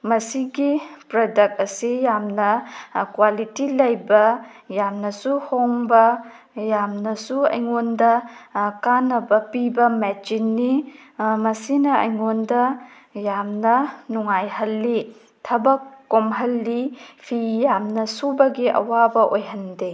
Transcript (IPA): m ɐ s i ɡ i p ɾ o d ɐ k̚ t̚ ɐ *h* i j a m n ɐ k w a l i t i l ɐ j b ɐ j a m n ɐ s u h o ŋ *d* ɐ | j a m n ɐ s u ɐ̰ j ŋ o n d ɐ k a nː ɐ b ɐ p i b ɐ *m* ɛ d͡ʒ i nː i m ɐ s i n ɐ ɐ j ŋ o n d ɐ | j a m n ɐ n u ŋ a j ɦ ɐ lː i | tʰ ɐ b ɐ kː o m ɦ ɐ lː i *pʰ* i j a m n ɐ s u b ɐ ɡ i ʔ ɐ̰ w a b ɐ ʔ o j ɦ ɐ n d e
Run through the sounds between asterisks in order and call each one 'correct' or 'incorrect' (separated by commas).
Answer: incorrect, incorrect, correct, correct